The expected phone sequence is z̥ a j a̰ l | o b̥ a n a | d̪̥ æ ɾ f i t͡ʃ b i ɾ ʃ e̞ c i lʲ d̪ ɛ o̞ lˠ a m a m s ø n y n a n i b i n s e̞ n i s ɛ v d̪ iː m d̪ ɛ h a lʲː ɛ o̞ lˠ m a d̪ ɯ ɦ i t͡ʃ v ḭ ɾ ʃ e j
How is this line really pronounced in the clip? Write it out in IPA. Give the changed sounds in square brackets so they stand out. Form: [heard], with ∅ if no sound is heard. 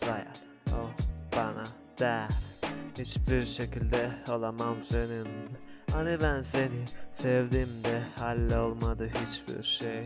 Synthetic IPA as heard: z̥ a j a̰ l | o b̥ a n a | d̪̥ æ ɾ [h] i t͡ʃ b i ɾ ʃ e̞ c i lʲ d̪ ɛ o̞ lˠ a m a m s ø n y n a n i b [æ] n s e̞ n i s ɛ v d̪ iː m d̪ ɛ h a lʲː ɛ o̞ lˠ m a d̪ ɯ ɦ i t͡ʃ [b] ḭ ɾ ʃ e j

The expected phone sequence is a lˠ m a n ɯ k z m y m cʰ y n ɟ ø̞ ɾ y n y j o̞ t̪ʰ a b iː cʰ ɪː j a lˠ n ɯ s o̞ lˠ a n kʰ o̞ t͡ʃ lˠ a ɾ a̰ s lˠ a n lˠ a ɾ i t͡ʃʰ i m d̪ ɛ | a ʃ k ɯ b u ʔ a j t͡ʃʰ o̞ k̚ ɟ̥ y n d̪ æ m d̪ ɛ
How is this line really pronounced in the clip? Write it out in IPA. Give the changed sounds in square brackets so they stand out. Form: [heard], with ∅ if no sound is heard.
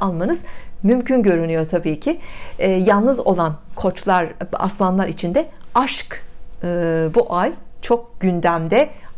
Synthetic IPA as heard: a lˠ m a n ɯ [∅] z m y m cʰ y n ɟ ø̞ ɾ y n y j o̞ t̪ʰ a b iː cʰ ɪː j a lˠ n ɯ [z] o̞ lˠ a n kʰ o̞ t͡ʃ lˠ a ɾ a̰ s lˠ a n lˠ a ɾ i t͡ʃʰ i [n] d̪ ɛ | a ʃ k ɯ b u ʔ a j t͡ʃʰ o̞ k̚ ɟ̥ y n d̪ æ m d̪ ɛ

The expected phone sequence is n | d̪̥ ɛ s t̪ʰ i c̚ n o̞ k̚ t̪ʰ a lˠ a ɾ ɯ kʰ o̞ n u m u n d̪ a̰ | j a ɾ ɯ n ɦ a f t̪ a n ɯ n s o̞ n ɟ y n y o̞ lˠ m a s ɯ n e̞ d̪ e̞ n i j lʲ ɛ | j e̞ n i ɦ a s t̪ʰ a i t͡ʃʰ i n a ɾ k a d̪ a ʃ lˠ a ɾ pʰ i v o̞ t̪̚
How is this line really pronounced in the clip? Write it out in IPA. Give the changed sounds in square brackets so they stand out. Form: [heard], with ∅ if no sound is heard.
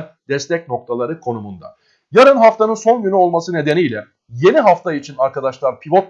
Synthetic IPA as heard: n | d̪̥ ɛ s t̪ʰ [ɛ] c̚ n o̞ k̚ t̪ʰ a lˠ a ɾ ɯ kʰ o̞ n u m u n d̪ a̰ | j a ɾ ɯ n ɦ a f t̪ a n ɯ n s o̞ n ɟ y n y o̞ lˠ m a s ɯ n e̞ d̪ e̞ n i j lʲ ɛ | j e̞ n i ɦ a [f] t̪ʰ a i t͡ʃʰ i n a ɾ k a d̪ a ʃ lˠ a ɾ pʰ i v o̞ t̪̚

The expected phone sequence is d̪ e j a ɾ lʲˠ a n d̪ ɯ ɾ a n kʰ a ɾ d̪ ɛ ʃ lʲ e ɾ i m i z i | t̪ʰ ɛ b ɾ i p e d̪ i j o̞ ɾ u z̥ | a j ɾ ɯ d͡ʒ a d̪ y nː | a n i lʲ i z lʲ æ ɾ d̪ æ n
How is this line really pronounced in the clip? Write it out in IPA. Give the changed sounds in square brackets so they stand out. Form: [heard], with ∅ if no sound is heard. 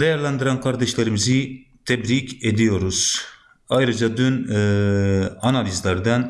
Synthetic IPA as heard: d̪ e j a ɾ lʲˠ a n d̪ ɯ ɾ a n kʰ a ɾ d̪ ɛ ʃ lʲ e ɾ i m i z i | t̪ʰ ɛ b ɾ i [c] e d̪ i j o̞ ɾ u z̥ | a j ɾ ɯ d͡ʒ a d̪ y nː | a n [a] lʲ i z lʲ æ ɾ d̪ æ n

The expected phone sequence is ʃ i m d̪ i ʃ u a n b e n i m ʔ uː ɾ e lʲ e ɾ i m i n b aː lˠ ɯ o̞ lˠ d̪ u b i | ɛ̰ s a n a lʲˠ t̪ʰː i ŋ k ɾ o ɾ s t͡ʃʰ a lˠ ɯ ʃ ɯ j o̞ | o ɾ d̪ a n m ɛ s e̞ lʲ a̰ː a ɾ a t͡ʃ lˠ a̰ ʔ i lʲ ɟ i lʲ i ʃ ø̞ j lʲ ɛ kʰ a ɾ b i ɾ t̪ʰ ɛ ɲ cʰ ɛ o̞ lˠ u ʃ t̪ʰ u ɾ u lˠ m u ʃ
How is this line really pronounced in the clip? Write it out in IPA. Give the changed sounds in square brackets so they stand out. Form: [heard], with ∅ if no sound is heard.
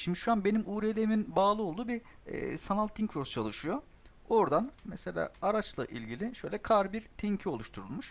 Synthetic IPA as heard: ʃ i m d̪ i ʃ u a n b e n i m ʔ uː ɾ e lʲ e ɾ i m i n b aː lˠ ɯ o̞ lˠ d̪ [uː] b i | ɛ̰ s a n a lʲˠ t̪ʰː i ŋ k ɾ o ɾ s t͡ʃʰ a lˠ ɯ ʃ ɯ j o̞ | o ɾ d̪ a n m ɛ s e̞ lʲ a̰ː a ɾ a t͡ʃ lˠ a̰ ʔ i lʲ ɟ i lʲ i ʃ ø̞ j lʲ ɛ kʰ a ɾ b i ɾ t̪ʰ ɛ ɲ cʰ [i] o̞ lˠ u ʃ t̪ʰ u ɾ u lˠ m u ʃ

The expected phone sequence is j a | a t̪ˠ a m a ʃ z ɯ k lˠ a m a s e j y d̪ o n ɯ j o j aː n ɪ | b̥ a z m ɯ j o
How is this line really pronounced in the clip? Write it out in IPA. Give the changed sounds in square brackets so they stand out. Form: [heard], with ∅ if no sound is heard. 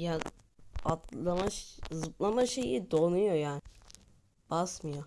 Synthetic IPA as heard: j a | a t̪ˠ a m a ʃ z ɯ [p] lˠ a m a [ʃ] e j [i] d̪ o n [u] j o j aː n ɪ | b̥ a [s] m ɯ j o

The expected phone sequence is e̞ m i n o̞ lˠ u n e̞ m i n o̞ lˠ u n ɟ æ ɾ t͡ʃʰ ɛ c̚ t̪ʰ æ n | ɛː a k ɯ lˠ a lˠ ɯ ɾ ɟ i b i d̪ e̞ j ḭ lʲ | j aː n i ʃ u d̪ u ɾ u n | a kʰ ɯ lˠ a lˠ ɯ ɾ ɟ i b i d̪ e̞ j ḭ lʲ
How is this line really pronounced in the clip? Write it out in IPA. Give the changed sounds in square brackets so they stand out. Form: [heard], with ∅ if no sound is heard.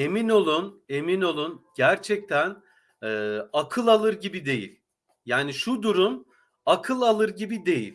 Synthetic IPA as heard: e̞ m i n o̞ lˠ u n e̞ m i n o̞ lˠ u n ɟ æ ɾ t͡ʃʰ ɛ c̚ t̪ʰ æ n | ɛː a [kʰ] ɯ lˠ a lˠ ɯ ɾ ɟ i b i d̪ e̞ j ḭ lʲ | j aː n i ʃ u d̪ u ɾ u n | a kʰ ɯ lˠ a lˠ ɯ ɾ ɟ i b i d̪ e̞ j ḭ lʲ

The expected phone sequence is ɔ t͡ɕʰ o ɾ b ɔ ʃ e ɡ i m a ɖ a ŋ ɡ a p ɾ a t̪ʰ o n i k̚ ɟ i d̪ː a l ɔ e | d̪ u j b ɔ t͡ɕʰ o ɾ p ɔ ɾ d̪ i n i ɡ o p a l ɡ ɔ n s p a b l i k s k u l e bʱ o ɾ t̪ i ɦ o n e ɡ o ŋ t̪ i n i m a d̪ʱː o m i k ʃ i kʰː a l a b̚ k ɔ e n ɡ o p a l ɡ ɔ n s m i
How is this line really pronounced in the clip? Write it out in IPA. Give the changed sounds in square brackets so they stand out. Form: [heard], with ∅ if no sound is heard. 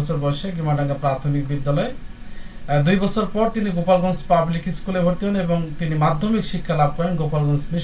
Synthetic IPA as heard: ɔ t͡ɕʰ o ɾ b ɔ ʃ e ɡ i m a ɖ a ŋ ɡ a p ɾ a t̪ʰ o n i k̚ [b] i d̪ː a l ɔ e | d̪ u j b ɔ t͡ɕʰ o ɾ p ɔ ɾ [t̪] i n i ɡ o p a l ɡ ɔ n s p a b l i k s k u l e bʱ o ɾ t̪ i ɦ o n e [b] o ŋ t̪ i n i m a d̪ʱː o m i k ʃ i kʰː a l a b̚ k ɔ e n ɡ o p a l ɡ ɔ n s m i

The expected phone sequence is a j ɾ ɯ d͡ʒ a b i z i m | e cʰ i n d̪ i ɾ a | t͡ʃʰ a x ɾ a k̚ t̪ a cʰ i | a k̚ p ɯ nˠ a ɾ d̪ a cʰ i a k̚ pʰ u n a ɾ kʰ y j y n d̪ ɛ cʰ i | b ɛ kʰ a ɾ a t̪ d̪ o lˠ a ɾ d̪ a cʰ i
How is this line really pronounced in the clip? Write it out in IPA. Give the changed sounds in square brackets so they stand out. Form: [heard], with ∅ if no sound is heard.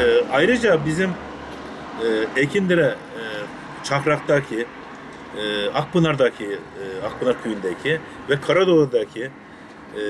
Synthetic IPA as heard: a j ɾ ɯ d͡ʒ a b i z i m | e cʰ i n d̪ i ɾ [ɛ] | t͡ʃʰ a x ɾ a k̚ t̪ a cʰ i | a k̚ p ɯ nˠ a ɾ d̪ a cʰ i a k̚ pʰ [ɯ] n a ɾ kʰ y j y n d̪ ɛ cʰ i | [v] ɛ kʰ a ɾ a [∅] d̪ o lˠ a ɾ d̪ a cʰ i

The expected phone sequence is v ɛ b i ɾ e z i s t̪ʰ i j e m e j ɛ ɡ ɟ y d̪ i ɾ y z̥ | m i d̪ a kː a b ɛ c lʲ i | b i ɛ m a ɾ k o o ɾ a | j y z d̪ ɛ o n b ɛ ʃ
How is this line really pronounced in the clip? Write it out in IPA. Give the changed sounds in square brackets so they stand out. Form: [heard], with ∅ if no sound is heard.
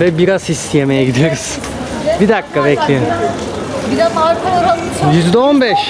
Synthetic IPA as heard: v ɛ b i ɾ [a] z i s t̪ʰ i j e m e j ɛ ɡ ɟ [i] d̪ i ɾ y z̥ | [b] i d̪ a kː a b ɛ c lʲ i | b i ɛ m a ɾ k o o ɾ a | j y z d̪ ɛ o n b ɛ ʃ

